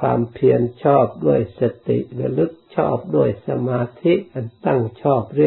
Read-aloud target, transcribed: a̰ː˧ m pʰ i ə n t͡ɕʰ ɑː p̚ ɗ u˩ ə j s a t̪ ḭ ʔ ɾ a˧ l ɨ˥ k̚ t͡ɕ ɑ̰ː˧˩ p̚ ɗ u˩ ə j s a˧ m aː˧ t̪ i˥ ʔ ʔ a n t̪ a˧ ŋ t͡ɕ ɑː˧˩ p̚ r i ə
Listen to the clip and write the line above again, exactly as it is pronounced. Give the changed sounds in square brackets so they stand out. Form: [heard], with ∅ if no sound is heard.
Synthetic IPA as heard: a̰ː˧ m pʰ i ə n t͡ɕʰ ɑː p̚ ɗ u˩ ə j s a t̪ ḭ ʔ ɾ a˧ l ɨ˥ k̚ [t͡ɕʰ] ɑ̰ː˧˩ p̚ ɗ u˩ ə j s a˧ m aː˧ [t̪ʰ] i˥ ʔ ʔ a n t̪ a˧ ŋ [t͡ɕʰ] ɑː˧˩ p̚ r i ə